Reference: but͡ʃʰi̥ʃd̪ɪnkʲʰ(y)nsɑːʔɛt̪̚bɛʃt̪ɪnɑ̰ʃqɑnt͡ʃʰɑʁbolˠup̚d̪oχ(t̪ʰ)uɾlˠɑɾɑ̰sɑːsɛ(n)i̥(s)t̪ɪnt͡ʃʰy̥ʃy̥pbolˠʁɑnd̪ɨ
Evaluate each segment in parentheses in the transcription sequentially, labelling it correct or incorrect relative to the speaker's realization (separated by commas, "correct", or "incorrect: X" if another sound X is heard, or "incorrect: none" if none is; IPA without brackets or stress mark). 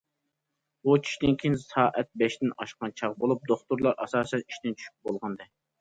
incorrect: i, incorrect: t̪, correct, incorrect: ʃ